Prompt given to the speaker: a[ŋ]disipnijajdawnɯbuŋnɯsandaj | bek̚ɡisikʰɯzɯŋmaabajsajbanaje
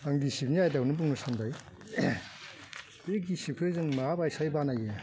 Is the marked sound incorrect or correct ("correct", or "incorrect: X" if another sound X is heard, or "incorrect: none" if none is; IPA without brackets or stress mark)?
correct